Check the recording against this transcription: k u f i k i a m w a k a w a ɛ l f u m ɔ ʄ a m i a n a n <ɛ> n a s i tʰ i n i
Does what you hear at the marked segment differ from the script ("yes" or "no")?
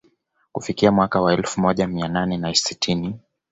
no